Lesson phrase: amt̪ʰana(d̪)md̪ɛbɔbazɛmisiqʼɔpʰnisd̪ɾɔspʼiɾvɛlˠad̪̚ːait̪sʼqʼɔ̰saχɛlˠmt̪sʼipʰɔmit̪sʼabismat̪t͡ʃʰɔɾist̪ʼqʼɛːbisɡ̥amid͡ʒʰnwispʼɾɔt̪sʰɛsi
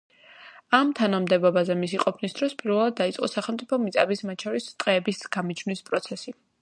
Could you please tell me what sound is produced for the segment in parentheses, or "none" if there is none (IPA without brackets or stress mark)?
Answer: none